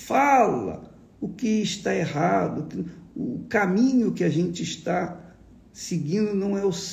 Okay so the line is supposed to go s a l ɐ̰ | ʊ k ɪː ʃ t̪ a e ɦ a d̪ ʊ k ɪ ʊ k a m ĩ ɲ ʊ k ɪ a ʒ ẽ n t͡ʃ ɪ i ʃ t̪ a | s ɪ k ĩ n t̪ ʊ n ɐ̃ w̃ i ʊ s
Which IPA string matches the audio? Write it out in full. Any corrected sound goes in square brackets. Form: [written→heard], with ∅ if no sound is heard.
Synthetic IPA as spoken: [s→f] a l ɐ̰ | ʊ k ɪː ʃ t̪ a e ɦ a d̪ ʊ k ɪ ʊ k a m ĩ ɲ ʊ k ɪ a ʒ ẽ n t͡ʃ ɪ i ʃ t̪ a | s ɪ [k→ɡ] ĩ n [t̪→d̪] ʊ n ɐ̃ w̃ [i→ɛ] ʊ s